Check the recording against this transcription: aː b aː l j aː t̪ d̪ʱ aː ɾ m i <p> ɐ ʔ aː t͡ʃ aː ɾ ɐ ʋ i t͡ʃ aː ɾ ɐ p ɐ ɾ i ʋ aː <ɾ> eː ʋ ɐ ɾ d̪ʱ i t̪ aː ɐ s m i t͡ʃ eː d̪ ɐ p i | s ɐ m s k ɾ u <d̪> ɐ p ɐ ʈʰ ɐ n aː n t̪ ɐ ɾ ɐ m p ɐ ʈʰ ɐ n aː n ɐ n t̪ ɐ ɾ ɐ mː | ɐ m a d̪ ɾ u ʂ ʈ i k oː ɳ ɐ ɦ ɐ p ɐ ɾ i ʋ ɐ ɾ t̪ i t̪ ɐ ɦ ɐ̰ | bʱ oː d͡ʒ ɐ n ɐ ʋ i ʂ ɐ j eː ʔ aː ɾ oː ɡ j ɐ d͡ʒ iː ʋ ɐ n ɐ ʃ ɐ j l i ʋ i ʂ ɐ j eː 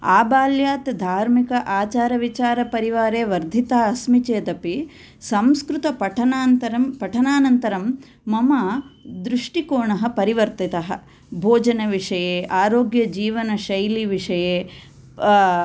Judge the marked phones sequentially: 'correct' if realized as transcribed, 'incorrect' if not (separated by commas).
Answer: incorrect, correct, incorrect